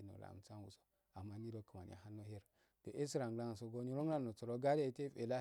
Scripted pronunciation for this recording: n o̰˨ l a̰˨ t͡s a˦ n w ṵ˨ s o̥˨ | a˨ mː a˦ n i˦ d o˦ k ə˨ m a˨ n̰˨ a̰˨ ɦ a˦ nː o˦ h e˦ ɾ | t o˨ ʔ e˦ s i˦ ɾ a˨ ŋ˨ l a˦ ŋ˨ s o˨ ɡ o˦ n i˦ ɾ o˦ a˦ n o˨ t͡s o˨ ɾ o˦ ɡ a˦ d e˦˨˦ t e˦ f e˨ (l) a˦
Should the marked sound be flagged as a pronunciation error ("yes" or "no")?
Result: no